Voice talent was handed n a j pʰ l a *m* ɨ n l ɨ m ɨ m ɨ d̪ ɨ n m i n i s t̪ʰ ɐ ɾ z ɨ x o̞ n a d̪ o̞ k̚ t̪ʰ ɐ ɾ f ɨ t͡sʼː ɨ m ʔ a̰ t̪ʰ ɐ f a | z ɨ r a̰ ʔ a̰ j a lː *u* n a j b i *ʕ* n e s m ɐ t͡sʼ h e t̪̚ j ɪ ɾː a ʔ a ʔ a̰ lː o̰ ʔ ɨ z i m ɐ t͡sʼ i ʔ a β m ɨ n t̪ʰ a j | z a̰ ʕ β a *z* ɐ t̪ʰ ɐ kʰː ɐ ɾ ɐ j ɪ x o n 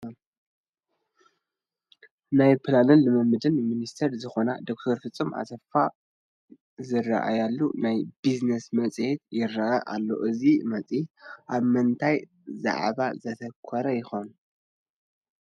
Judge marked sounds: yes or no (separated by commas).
no, yes, no, yes